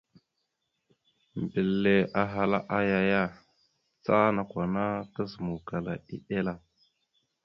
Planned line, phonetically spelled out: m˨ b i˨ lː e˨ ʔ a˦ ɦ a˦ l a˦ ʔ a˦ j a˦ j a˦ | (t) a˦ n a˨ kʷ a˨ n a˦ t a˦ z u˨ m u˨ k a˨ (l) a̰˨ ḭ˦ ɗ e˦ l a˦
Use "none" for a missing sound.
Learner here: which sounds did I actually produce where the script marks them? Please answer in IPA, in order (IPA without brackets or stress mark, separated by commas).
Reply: t͡s, l